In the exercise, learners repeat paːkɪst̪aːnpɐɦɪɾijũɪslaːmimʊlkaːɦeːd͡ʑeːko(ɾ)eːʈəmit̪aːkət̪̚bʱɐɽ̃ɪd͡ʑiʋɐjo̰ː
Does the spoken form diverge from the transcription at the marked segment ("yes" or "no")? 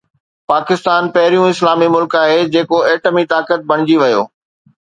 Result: yes